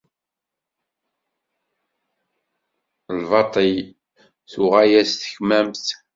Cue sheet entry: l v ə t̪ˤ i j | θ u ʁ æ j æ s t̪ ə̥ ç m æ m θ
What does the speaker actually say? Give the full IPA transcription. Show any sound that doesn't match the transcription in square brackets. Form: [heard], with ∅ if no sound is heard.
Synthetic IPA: l v [ɑ] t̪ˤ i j | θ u ʁ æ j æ s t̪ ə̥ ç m æ m θ